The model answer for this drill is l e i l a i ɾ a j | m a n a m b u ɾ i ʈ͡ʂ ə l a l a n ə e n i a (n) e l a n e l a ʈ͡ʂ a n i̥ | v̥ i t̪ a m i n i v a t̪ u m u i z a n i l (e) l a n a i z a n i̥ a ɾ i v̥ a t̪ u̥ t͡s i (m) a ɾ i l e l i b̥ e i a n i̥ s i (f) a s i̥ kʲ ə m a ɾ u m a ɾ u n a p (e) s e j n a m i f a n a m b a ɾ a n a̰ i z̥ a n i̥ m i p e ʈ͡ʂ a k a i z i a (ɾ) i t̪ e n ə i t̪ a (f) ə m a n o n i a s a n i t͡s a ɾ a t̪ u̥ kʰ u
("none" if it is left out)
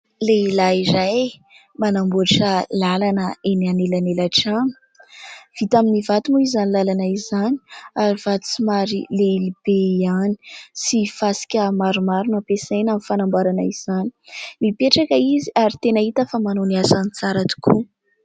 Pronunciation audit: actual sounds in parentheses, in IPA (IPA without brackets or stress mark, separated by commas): n, a, m, f, e, ɾ, f